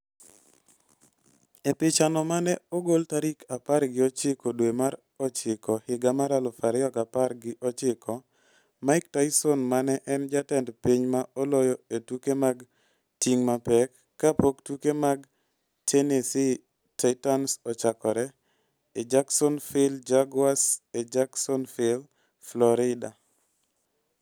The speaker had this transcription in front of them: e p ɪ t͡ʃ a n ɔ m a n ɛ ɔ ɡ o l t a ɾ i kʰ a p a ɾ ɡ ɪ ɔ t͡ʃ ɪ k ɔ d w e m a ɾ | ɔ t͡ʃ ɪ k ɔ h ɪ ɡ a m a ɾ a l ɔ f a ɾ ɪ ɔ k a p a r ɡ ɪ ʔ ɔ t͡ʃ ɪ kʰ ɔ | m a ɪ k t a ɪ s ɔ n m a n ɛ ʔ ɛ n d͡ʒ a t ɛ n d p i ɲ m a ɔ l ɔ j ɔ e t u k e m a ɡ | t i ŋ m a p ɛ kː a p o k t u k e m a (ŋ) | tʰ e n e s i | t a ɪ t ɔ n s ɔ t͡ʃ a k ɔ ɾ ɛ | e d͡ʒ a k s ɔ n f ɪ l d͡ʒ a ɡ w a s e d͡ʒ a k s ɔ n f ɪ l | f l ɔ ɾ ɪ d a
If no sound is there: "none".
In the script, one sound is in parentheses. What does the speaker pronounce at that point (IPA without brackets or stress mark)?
ɡ